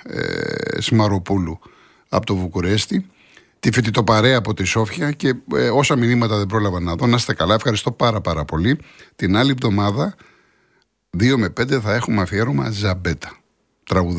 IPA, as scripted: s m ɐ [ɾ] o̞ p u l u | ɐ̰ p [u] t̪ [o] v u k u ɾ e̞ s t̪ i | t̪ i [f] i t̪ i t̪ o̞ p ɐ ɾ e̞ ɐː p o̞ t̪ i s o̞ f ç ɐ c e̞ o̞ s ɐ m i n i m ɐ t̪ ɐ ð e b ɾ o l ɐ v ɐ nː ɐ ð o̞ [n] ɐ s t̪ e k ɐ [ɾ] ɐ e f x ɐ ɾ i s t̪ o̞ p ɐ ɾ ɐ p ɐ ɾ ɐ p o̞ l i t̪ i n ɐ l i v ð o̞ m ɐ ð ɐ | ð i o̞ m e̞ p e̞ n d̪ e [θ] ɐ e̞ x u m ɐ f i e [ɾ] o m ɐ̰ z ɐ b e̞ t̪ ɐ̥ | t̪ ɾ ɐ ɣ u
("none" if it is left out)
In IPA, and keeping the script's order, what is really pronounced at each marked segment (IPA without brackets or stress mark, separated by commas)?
ɾ, o, o, f, n, l, θ, ɾ